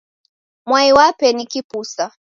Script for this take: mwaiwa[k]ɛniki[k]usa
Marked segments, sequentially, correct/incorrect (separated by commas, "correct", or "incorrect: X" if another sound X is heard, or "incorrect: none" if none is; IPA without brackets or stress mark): incorrect: p, incorrect: p